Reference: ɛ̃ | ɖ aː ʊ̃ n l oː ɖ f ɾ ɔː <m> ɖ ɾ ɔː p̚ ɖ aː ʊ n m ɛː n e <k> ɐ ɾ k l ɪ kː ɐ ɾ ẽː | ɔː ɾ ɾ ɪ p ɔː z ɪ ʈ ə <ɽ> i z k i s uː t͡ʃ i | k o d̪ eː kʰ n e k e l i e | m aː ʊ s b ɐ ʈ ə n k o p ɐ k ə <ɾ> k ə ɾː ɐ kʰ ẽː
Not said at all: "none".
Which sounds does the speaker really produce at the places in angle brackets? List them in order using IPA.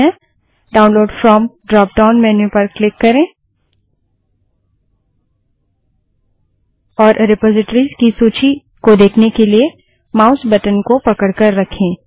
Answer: m, p, ɾ, ɽ

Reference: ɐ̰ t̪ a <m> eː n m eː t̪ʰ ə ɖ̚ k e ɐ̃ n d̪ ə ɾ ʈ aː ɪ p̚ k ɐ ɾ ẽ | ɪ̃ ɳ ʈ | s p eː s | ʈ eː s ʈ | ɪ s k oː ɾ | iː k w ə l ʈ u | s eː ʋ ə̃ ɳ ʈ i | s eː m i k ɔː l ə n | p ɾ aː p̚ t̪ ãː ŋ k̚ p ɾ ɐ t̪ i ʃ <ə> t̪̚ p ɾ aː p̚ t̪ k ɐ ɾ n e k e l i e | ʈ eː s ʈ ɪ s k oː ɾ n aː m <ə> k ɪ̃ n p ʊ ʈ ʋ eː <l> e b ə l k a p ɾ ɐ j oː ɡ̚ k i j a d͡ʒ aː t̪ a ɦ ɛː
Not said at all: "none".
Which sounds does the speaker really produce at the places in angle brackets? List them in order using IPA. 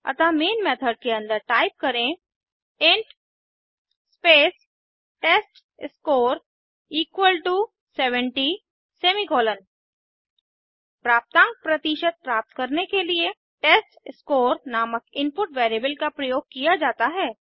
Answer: m, ə, ə, ɾ

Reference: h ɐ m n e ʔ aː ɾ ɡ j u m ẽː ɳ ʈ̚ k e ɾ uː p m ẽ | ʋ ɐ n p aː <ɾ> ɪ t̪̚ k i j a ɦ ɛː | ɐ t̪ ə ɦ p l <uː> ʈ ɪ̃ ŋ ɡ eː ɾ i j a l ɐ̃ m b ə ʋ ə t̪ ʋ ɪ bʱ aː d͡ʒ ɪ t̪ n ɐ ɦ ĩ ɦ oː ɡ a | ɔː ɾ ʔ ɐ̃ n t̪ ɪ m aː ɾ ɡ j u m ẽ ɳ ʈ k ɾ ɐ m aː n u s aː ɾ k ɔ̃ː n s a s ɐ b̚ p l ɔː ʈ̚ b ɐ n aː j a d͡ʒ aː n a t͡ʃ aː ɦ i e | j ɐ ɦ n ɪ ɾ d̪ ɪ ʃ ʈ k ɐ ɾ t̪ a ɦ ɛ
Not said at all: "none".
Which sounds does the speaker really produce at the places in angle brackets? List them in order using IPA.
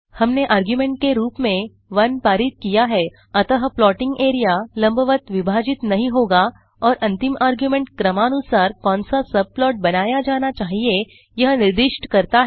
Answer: ɾ, ɔː

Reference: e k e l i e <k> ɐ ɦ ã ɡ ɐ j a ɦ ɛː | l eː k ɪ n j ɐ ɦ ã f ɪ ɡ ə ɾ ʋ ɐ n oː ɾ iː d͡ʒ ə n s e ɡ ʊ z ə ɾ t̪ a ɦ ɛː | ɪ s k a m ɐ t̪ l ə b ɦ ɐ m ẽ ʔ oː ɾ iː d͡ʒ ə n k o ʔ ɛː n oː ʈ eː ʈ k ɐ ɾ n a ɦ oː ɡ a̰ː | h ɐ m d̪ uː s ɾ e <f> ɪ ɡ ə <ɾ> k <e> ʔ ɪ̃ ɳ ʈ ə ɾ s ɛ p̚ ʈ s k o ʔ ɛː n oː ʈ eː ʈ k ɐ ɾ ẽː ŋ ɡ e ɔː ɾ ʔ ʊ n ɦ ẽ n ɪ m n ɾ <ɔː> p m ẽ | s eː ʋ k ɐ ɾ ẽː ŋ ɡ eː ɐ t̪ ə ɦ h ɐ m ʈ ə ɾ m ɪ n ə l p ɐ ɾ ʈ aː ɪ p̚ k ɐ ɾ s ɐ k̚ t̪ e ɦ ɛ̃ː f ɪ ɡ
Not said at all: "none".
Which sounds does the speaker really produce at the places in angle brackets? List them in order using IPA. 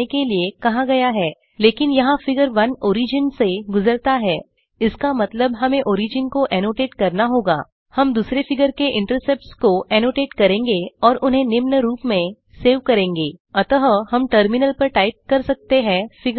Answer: k, f, ɾ, e, uː

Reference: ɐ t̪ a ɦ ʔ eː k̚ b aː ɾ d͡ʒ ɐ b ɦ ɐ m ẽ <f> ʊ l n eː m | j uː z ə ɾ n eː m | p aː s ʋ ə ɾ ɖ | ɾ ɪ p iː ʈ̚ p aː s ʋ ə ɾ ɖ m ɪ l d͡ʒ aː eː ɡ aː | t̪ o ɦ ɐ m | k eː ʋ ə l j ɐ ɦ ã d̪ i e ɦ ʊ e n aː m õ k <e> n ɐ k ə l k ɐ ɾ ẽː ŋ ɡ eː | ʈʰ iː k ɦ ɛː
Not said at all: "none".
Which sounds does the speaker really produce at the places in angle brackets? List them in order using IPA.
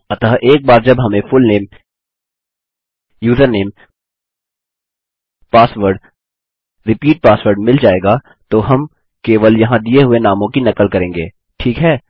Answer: f, i

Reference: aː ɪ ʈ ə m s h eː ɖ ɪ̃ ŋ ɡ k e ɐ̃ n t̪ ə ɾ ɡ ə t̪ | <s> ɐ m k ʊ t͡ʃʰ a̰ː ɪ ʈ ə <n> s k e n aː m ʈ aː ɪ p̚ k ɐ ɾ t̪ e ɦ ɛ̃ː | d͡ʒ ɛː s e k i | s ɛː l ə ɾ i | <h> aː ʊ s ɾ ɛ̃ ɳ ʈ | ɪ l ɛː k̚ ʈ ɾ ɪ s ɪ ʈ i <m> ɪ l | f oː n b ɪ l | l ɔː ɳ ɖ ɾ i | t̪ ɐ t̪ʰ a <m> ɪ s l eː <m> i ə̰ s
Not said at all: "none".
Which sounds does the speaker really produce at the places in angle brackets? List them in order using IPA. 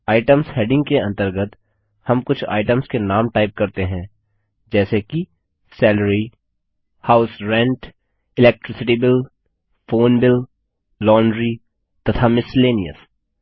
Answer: h, m, h, b, m, n

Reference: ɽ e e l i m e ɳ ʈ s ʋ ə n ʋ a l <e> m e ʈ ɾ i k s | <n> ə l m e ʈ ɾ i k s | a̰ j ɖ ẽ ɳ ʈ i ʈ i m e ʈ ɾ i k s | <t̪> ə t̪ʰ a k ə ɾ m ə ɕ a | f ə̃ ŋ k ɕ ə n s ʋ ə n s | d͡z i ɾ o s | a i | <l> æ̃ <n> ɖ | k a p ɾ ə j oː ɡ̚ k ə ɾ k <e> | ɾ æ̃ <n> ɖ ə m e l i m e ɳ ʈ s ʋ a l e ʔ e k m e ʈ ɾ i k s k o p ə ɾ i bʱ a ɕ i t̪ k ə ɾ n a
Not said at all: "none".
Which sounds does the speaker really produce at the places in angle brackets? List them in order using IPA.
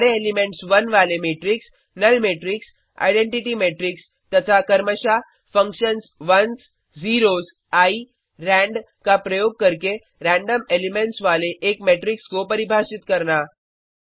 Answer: e, n, t̪, ɾ, ɳ, e, ɳ

